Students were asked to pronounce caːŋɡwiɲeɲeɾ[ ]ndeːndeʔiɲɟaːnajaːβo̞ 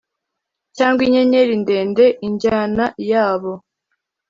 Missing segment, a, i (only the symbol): i